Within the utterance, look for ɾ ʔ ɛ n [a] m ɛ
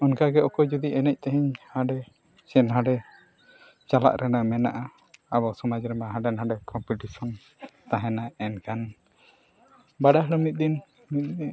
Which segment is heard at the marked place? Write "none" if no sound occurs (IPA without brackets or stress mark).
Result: a